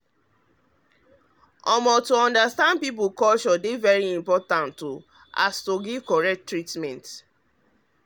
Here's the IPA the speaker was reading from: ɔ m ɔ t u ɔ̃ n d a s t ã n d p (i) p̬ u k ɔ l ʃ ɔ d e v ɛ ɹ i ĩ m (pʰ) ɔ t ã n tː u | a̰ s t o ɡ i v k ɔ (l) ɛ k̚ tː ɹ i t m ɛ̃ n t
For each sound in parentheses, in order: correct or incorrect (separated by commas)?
correct, incorrect, incorrect